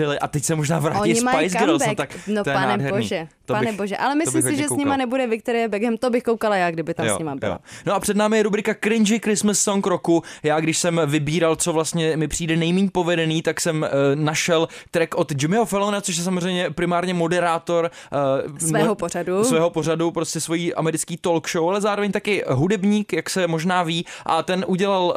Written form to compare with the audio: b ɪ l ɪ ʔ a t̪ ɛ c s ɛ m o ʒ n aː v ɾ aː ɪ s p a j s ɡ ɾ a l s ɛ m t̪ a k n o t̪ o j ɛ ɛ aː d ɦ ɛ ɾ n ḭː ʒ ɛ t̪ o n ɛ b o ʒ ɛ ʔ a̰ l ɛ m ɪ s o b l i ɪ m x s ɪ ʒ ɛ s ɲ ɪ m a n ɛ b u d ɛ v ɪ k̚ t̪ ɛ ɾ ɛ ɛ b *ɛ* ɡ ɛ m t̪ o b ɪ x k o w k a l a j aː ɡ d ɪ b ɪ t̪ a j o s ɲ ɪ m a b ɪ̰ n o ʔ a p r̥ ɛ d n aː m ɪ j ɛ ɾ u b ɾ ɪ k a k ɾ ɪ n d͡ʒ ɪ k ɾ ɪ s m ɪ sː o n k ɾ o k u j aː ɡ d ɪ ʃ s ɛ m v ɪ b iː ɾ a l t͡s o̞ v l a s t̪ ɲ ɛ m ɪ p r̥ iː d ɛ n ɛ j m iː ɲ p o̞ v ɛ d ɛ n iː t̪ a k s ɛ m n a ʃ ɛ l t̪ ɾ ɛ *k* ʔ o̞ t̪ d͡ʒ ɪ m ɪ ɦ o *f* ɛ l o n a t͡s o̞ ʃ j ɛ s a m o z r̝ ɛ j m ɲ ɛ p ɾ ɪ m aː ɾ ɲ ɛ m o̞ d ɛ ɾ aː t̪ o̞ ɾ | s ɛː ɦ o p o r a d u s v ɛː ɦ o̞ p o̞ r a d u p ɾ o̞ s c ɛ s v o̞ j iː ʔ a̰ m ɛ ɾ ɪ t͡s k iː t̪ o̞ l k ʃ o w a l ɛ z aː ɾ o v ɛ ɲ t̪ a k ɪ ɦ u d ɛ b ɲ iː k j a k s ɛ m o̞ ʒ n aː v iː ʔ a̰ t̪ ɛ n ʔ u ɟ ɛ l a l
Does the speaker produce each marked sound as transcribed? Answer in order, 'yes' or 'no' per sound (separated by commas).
yes, yes, yes